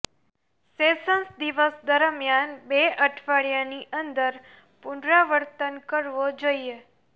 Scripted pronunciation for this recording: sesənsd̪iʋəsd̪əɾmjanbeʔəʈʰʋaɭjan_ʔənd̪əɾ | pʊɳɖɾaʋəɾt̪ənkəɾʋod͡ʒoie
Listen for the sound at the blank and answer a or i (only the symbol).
i